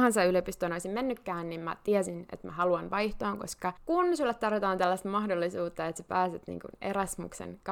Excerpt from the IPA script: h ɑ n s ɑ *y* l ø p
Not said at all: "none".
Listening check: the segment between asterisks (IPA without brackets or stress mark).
y